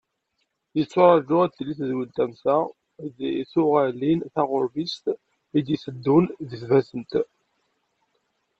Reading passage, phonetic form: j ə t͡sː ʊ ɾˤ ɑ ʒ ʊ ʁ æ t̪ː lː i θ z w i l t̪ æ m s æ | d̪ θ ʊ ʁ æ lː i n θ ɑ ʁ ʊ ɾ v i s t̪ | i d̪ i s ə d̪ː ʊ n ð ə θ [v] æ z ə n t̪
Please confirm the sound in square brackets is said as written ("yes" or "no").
yes